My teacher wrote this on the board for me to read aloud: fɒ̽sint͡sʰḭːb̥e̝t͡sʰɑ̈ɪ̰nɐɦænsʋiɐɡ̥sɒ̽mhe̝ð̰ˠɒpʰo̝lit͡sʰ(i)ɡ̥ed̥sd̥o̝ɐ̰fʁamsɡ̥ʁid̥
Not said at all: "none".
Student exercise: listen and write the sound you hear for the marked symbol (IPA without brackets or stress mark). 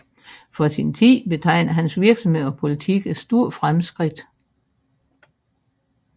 i